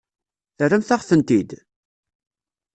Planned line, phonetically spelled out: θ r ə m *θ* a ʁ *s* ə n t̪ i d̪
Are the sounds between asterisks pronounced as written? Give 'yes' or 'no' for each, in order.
yes, no

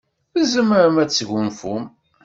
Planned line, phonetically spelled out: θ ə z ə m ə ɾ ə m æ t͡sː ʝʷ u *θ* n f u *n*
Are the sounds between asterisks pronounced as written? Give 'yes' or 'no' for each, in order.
no, no

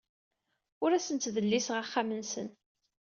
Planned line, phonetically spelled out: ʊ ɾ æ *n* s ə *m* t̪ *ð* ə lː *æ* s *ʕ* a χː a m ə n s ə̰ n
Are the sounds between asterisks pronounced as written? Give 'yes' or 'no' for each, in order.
no, no, yes, no, no

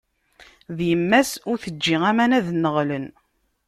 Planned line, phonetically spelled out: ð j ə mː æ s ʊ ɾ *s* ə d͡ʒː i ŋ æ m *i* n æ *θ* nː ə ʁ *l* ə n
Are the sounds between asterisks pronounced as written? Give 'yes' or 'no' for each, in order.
no, no, no, yes

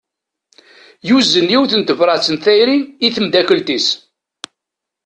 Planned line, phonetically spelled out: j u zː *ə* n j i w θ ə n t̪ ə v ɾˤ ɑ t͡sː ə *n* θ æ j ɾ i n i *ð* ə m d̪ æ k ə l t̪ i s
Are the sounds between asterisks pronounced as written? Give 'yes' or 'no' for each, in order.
yes, yes, no

